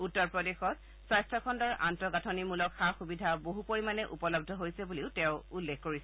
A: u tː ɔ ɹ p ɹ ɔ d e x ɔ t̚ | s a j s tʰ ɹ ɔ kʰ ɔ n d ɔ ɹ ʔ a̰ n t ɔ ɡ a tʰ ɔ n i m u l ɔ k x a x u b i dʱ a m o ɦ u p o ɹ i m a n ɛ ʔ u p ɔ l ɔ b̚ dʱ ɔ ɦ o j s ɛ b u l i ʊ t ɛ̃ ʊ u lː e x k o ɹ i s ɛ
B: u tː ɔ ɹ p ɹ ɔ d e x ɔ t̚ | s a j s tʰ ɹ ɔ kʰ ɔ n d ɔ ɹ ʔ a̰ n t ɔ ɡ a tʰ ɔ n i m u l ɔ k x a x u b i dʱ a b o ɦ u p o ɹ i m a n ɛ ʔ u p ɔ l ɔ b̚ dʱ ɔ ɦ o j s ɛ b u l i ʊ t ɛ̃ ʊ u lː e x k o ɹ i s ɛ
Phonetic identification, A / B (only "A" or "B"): B